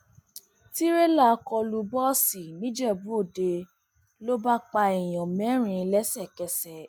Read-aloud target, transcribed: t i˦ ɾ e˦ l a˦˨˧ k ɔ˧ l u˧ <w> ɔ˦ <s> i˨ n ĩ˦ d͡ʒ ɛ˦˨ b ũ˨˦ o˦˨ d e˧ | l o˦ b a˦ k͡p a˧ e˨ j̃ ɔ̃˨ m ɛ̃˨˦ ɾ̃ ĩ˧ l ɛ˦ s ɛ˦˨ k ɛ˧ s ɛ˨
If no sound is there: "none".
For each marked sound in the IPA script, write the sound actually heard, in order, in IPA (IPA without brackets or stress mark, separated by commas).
b, s